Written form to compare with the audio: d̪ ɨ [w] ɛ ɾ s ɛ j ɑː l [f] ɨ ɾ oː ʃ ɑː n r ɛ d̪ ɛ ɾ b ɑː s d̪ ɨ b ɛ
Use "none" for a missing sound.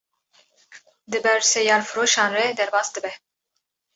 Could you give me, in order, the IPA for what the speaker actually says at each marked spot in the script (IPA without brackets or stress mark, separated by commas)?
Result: b, f